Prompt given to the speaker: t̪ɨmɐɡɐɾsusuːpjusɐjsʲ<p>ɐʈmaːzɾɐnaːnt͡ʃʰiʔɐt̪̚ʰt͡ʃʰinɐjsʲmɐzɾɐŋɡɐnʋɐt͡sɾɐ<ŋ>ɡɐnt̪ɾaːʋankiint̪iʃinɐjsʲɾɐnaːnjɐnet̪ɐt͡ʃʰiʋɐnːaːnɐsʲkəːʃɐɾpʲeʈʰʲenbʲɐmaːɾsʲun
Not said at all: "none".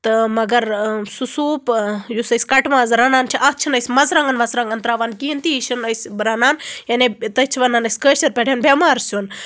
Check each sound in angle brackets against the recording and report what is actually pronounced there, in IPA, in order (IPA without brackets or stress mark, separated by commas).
k, ŋ